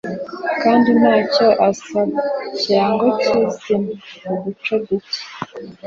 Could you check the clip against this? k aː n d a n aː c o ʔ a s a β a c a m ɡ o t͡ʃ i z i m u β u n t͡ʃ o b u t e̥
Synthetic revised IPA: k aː n d i n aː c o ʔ a s a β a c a ŋ ɡ o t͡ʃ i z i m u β u t͡ʃ o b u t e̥